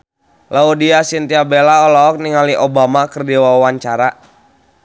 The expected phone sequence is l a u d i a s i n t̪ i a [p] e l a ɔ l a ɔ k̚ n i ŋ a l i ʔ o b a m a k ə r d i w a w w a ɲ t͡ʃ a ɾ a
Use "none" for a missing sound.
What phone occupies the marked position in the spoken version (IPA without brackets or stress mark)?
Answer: b